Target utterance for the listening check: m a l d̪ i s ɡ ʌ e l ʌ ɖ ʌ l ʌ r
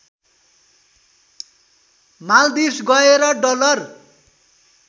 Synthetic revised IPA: m a l d̪ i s ɡ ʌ e ɾ ʌ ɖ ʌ l ʌ r